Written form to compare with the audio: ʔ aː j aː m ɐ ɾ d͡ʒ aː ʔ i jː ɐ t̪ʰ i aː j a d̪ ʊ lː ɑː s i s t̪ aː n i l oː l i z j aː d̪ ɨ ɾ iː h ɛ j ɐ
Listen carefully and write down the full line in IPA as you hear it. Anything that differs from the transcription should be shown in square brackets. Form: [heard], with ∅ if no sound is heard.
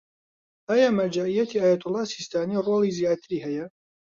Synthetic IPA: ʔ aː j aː m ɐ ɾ d͡ʒ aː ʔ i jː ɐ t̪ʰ i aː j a [t̪] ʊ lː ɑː s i s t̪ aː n i [r] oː l i z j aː [t̪] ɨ ɾ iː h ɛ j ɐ